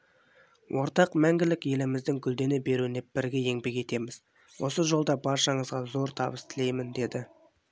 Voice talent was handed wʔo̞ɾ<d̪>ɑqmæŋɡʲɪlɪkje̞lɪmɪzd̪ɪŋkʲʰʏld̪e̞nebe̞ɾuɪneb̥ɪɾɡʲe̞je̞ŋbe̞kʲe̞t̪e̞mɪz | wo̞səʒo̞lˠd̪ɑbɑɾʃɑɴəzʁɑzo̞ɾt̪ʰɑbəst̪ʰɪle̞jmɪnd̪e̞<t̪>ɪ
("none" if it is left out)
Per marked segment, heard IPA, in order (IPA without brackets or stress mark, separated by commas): t̪, d̪